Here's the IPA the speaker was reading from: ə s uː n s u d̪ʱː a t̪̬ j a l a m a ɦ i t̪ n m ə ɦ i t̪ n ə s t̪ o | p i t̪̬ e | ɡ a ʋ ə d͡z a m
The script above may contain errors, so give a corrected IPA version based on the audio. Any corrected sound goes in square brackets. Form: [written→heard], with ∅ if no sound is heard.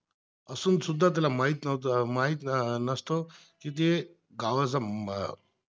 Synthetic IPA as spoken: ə s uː n s u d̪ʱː a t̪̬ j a l a m a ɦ i t̪ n m [ə→a] ɦ i t̪ n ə s t̪ o | [p→k] i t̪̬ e | ɡ a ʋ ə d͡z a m

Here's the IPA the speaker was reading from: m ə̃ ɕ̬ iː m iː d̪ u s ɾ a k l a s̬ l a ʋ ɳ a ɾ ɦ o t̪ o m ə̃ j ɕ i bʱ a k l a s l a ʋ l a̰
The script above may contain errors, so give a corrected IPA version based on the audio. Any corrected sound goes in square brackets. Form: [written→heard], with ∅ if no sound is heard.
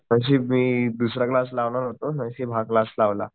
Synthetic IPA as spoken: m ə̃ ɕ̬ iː m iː d̪ u s ɾ a k l a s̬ l a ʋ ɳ a ɾ ɦ o t̪ o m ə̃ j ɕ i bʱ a k l a s l a ʋ l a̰

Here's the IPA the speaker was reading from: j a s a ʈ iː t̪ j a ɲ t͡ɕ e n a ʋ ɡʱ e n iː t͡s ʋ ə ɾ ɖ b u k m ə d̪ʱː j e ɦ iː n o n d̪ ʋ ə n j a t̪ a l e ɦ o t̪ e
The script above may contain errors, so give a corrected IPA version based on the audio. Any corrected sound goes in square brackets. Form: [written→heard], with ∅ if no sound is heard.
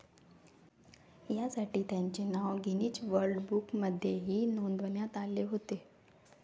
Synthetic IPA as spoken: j a s a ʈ iː t̪ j a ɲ t͡ɕ e n a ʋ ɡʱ [e→i] n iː t͡s ʋ ə ɾ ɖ b u k m ə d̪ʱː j e ɦ iː n o n d̪ ʋ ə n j a t̪ a l e ɦ o t̪ e

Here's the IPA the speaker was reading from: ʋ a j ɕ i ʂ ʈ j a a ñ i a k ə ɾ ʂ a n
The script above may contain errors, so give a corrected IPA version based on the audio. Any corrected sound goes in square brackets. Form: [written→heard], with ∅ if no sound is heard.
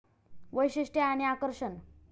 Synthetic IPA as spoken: ʋ [a→ə] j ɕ i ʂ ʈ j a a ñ i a k ə ɾ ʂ [a→ə] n

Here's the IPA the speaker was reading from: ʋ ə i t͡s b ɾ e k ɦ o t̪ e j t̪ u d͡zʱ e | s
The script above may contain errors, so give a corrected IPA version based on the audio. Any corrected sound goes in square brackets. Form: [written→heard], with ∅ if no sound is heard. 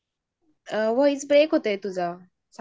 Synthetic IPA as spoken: ʋ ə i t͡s b ɾ e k ɦ o t̪ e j t̪ u d͡zʱ [e→a] | s

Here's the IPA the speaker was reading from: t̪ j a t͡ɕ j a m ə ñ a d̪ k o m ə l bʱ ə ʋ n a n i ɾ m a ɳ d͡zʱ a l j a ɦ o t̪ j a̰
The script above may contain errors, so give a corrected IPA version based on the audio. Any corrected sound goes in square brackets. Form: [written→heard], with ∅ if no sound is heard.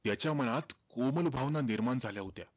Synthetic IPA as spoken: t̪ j a t͡ɕ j a m ə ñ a [d̪→t̪] k o m ə l bʱ [ə→a] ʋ n a n i ɾ m a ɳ d͡zʱ a l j a ɦ o t̪ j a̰

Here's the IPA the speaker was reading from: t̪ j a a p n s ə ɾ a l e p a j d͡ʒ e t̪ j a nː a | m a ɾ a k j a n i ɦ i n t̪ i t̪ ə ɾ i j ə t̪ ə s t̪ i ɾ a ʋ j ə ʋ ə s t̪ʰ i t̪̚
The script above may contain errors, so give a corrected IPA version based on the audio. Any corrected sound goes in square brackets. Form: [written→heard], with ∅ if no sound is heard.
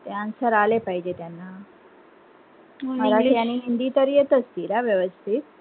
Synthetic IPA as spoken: t̪ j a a [p→∅] n s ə ɾ a l e p a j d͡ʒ e t̪ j a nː a | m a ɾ a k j a n i ɦ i n [t̪→d̪] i t̪ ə ɾ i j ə t̪ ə s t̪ i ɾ a ʋ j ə ʋ ə s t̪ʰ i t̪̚

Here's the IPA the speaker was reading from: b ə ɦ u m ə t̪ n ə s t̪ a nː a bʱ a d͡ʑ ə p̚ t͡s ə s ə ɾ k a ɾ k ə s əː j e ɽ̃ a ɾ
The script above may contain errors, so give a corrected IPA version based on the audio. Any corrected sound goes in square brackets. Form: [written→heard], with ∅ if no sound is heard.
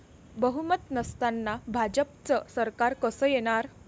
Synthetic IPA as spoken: b ə ɦ u m ə t̪ n ə s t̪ a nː a bʱ a d͡ʑ ə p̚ t͡s ə s ə ɾ k a ɾ k ə s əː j e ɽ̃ a ɾ

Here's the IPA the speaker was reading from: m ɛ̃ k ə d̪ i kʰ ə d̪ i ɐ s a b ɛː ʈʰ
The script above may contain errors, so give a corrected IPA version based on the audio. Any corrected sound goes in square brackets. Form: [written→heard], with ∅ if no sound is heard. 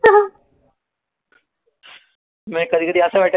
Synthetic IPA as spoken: m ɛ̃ k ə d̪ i [kʰ→k] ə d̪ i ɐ s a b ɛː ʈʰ

